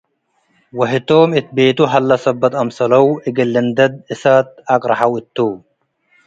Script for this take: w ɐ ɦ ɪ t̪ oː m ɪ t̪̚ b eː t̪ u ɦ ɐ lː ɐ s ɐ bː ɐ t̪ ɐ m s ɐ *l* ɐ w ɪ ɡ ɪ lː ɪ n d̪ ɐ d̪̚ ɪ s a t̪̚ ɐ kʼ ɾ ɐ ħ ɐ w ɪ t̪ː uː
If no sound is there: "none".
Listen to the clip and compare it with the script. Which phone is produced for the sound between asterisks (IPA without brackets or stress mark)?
l